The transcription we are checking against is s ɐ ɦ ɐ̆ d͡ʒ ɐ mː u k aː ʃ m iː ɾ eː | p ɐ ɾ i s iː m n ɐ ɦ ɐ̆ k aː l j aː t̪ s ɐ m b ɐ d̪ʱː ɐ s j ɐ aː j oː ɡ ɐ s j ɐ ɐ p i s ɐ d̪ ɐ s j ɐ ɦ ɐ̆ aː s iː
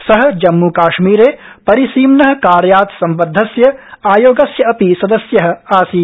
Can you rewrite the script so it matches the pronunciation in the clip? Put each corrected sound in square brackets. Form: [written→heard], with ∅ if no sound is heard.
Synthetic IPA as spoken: s ɐ ɦ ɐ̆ d͡ʒ ɐ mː u k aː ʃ m iː ɾ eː | p ɐ ɾ i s iː m n ɐ ɦ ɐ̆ k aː [l→ɾ] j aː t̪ s ɐ m b ɐ d̪ʱː ɐ s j ɐ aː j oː ɡ ɐ s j ɐ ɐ p i s ɐ d̪ ɐ s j ɐ ɦ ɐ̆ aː s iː